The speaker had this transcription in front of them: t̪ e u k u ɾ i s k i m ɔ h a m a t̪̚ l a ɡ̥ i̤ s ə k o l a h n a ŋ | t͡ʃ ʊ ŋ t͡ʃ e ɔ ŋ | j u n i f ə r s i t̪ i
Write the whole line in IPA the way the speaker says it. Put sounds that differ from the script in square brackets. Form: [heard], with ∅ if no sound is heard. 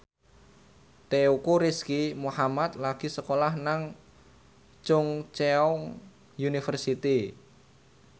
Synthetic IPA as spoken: t̪ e u k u ɾ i s k i m [u] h a m a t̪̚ l a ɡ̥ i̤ s ə k o l a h n a ŋ | t͡ʃ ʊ ŋ t͡ʃ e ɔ ŋ | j u n i f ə r s i t̪ i